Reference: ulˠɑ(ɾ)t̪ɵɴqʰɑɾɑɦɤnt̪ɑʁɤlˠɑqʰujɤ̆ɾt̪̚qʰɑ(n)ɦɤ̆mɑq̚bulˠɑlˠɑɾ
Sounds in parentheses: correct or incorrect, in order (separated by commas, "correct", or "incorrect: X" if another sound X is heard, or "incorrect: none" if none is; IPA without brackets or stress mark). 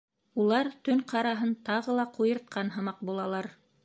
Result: correct, correct